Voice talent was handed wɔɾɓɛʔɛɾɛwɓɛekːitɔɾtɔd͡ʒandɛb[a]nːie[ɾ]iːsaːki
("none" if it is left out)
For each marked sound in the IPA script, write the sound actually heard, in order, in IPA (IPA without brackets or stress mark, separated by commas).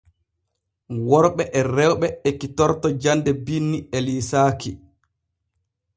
i, l